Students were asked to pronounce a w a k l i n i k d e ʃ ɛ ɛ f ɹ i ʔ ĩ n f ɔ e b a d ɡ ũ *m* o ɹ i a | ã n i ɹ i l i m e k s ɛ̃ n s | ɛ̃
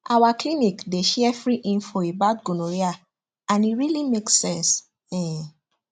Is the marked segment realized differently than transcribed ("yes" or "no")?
yes